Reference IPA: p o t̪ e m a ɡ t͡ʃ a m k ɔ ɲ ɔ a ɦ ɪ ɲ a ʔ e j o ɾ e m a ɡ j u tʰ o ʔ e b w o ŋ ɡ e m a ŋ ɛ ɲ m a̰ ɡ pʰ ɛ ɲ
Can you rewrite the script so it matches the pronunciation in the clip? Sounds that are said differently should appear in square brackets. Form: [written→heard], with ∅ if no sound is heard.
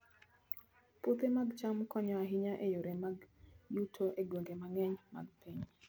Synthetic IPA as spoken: p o t̪ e m a ɡ t͡ʃ a m k ɔ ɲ ɔ a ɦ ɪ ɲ a ʔ e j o ɾ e m a ɡ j u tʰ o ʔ e [b→ɡ] w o ŋ ɡ e m a ŋ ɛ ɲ m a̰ ɡ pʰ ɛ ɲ